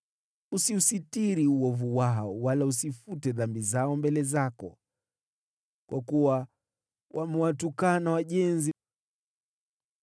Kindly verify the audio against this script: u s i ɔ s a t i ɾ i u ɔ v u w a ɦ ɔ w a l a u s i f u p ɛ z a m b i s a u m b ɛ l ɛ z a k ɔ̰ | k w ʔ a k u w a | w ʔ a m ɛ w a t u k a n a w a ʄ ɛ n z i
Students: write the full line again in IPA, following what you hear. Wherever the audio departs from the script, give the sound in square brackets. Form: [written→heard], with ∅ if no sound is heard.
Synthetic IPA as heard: u s i [ɔ→u] s [a→i] t i ɾ i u ɔ v u w a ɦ ɔ w a l a u s i f u [p→t] ɛ [z→ð] a m b i [s→z] a [u→ɔ] m b ɛ l ɛ z a k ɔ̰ | k w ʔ a k u w a | w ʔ a m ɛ w a t u k a n a w a ʄ ɛ n z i